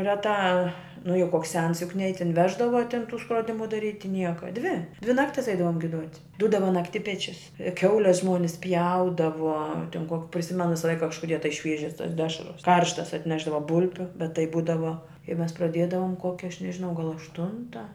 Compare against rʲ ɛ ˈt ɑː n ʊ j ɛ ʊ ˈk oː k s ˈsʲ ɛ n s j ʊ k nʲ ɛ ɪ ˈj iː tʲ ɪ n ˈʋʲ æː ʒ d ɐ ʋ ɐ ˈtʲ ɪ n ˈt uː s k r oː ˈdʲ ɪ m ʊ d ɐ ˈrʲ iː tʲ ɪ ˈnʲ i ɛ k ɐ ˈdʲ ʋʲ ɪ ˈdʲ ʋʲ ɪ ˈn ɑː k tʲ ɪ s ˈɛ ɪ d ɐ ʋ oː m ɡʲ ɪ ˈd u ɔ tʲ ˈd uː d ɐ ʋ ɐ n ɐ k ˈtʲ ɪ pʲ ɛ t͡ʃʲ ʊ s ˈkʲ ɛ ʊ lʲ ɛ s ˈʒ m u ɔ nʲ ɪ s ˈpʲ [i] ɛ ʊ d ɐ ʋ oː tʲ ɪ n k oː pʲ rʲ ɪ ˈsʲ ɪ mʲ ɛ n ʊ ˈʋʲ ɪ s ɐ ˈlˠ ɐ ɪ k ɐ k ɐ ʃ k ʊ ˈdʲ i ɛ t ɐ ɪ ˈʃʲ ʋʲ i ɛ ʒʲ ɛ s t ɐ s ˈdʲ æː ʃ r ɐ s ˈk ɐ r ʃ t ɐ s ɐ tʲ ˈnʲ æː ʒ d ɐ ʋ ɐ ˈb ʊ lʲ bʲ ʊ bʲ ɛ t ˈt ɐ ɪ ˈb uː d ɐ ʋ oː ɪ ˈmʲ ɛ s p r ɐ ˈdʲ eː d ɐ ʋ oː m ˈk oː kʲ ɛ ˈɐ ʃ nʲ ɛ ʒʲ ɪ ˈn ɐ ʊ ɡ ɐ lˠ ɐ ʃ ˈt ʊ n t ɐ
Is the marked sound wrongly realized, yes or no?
yes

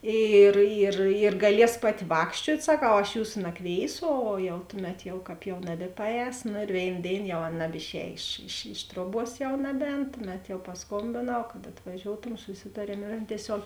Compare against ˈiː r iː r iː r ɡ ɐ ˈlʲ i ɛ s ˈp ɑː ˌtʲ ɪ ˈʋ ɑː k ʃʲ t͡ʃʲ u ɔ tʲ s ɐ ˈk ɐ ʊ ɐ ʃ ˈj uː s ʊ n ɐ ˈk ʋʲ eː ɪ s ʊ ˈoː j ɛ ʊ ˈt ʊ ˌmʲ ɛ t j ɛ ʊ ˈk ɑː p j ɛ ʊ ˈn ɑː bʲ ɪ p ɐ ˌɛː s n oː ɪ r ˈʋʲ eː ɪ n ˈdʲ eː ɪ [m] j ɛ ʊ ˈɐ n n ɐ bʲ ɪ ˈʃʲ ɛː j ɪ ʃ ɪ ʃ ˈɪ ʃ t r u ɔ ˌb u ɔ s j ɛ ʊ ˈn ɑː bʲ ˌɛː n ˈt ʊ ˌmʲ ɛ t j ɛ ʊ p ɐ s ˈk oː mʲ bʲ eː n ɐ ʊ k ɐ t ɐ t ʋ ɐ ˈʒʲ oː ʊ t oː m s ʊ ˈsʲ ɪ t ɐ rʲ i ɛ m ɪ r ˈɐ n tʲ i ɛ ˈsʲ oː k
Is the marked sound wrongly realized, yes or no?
yes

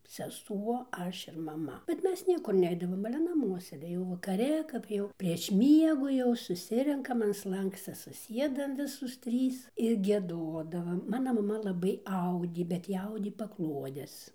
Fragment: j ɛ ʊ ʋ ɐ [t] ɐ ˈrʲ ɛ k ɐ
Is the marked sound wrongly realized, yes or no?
yes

